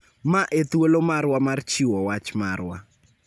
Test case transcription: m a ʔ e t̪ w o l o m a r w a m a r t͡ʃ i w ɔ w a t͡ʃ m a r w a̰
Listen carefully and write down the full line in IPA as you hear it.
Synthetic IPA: m a ʔ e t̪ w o l o m a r w a m a r t͡ʃ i w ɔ w a t͡ʃ m a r w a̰